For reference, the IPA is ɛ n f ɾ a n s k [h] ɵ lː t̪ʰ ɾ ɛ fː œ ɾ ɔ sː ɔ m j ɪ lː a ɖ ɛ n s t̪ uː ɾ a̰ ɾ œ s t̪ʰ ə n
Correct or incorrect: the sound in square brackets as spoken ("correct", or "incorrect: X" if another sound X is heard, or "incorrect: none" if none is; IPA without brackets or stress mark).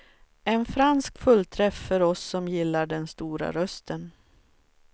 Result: incorrect: f